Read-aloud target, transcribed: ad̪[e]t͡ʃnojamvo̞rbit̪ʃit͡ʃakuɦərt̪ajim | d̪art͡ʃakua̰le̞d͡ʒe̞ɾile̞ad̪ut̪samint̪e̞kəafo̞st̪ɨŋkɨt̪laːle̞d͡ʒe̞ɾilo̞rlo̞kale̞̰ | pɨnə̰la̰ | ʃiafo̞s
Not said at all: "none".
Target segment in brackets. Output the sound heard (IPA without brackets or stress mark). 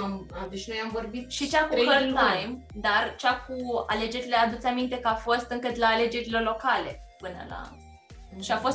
e